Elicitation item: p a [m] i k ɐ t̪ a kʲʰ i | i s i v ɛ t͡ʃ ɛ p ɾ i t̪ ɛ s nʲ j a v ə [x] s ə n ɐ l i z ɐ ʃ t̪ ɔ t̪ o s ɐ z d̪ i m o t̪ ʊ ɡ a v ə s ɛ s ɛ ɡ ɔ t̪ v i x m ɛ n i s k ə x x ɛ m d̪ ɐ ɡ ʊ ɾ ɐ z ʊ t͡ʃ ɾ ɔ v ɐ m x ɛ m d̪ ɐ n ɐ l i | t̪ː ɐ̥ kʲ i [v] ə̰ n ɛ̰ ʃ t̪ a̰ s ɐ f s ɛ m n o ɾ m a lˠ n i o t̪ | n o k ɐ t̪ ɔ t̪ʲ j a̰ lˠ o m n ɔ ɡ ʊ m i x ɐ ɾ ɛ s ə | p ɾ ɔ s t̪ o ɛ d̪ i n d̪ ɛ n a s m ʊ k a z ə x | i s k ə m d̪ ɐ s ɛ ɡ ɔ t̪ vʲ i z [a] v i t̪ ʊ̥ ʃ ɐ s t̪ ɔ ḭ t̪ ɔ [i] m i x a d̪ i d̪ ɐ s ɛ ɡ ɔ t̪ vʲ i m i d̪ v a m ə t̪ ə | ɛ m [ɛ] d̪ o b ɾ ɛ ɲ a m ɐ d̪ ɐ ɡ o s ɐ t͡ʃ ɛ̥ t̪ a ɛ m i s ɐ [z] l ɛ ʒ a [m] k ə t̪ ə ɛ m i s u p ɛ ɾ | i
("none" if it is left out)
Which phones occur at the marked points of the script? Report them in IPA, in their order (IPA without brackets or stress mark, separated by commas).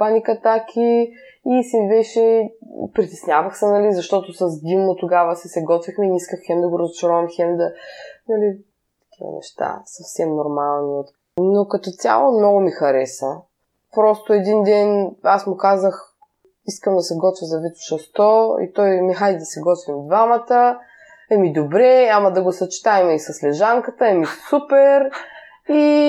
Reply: n, x, v, ɐ, j, i, s, ŋ